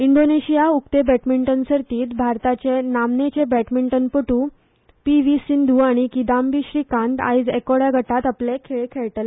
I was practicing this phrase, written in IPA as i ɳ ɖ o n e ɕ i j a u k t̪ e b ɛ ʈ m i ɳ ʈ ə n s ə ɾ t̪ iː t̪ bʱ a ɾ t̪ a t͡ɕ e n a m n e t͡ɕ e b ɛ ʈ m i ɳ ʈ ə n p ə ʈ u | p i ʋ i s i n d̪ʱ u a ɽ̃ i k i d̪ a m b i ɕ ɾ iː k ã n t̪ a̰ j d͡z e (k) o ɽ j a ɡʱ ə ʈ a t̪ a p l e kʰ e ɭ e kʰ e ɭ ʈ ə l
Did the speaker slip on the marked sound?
no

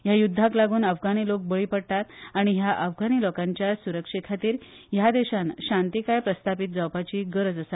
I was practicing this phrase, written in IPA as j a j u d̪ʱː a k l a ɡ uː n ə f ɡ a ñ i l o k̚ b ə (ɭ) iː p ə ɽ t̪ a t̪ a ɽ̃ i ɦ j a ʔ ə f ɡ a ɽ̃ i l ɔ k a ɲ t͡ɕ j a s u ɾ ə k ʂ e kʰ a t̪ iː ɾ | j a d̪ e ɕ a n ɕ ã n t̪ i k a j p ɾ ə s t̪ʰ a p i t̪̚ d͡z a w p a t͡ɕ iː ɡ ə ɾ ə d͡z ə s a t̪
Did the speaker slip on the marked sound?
no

